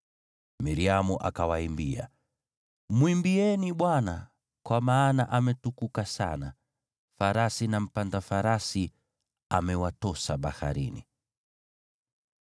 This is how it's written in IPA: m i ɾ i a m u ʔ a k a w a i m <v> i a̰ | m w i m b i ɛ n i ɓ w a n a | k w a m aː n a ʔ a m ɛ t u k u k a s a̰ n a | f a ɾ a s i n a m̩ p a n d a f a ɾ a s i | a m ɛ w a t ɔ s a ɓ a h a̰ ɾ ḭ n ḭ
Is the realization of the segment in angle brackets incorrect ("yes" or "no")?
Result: yes